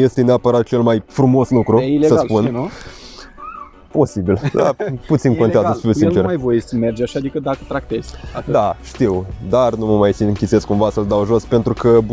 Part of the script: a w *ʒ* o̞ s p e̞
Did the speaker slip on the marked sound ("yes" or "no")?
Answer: no